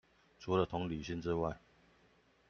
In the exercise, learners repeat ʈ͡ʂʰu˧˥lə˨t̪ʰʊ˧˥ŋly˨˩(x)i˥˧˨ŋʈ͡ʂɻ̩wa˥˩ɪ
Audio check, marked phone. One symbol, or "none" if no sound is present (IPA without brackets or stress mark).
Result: ɕ